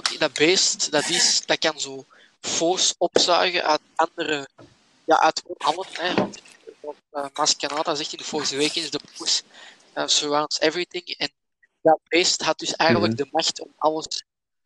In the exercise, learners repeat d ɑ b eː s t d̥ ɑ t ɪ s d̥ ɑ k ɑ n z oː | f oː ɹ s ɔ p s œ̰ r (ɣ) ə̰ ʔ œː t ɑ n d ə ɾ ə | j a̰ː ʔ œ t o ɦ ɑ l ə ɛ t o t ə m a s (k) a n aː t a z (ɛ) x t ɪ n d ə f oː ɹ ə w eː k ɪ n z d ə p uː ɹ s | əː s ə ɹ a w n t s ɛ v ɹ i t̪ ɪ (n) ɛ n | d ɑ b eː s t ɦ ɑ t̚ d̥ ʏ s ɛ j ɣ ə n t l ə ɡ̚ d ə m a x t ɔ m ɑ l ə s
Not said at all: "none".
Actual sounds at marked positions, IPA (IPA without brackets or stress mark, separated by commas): ɣ, k, ɛ, ŋ